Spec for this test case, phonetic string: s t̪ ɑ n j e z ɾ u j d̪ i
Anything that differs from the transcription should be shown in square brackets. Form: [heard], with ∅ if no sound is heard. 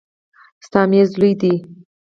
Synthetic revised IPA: s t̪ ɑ [m] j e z [l] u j d̪ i